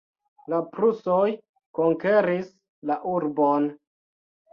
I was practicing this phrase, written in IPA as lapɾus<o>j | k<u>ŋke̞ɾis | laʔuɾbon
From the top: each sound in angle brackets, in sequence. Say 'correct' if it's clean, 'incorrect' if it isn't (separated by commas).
correct, incorrect